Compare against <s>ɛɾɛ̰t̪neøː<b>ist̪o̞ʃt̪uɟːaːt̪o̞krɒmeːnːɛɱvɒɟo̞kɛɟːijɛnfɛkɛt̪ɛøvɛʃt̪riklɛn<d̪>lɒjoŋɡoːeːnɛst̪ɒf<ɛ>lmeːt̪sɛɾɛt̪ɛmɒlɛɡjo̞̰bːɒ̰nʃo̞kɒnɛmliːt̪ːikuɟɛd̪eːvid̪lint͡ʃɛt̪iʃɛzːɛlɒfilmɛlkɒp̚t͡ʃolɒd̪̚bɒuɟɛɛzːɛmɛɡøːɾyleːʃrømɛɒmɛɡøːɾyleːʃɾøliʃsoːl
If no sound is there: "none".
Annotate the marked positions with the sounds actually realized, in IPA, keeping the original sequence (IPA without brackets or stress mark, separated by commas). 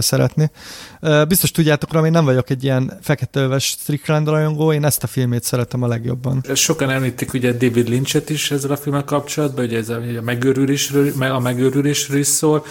s, b, d̪, i